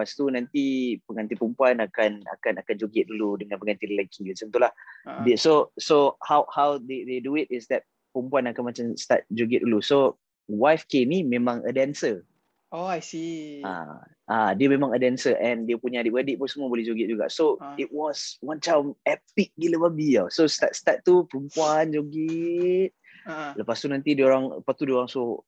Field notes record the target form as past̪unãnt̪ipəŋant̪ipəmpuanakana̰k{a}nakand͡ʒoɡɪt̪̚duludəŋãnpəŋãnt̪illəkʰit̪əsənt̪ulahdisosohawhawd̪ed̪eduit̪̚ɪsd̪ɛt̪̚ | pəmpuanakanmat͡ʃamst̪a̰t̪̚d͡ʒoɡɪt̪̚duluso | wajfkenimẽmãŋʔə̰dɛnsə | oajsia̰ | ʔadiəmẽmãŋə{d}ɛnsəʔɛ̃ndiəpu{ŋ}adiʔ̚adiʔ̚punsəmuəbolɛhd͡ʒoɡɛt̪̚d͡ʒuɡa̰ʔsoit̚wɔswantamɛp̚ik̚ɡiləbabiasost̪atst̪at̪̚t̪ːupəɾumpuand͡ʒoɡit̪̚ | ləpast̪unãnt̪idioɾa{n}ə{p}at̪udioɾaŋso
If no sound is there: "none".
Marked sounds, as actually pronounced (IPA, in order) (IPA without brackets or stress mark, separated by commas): a, d, ɲ, ŋ, p